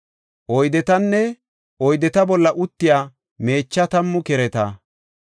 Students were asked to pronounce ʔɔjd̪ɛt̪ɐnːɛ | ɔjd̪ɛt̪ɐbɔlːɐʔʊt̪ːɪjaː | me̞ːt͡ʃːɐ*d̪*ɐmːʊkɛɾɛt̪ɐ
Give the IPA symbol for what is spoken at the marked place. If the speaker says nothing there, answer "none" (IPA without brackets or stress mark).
t̪